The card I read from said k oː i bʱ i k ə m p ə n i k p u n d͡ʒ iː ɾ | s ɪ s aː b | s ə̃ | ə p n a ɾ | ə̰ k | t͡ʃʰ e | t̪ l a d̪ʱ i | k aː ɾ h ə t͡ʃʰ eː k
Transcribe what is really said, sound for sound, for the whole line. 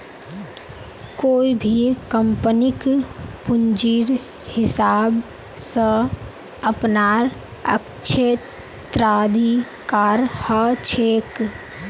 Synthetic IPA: k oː i bʱ i k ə m p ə n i k p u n d͡ʒ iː ɾ | h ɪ s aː b | s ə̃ | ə p n a ɾ | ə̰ k | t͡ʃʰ e | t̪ ɾ a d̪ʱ i | k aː ɾ h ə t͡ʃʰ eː k